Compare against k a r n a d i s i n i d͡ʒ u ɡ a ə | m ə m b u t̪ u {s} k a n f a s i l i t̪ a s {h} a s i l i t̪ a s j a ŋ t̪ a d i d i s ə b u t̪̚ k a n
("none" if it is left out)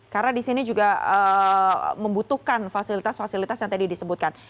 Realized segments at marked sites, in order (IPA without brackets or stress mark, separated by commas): h, f